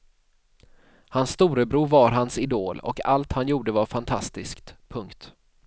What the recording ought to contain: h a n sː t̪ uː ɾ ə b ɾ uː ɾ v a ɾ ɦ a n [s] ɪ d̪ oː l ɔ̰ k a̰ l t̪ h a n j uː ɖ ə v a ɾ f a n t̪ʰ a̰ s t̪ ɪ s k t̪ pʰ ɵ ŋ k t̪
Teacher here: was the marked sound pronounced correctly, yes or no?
yes